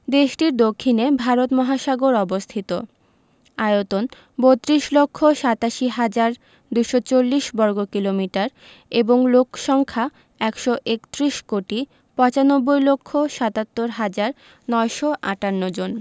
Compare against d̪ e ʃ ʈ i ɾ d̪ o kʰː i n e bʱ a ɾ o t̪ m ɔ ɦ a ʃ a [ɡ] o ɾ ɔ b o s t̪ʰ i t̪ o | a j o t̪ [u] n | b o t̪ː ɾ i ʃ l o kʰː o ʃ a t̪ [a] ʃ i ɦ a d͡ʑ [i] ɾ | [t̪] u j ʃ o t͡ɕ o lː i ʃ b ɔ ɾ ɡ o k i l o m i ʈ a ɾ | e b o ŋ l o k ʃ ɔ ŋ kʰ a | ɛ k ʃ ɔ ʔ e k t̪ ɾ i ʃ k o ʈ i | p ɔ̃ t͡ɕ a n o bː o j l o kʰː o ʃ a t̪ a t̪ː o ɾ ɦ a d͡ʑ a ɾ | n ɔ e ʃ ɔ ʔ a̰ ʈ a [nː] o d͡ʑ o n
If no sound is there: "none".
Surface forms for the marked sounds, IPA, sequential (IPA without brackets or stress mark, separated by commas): ɡ, o, a, a, d̪, nː